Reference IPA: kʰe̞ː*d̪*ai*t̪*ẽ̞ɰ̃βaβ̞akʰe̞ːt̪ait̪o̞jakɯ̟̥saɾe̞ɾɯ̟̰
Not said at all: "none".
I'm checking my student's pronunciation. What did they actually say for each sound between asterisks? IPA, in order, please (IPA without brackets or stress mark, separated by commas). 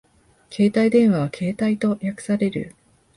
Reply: t̪, d̪